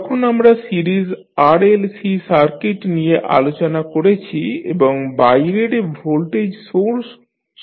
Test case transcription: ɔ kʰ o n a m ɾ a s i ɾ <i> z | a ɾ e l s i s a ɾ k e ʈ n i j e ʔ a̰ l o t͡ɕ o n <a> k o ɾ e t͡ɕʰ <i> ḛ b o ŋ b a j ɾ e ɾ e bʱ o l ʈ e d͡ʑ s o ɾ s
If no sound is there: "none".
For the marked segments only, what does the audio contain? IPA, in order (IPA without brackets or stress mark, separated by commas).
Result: i, a, i